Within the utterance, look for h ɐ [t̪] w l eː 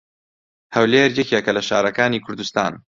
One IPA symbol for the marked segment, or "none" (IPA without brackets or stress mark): none